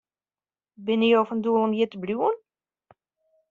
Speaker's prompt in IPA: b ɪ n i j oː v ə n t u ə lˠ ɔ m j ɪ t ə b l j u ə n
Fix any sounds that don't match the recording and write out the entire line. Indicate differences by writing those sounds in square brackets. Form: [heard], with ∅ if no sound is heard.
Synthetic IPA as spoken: b ɪ n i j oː [f] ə n [d] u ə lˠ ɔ m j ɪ t ə b l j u ə n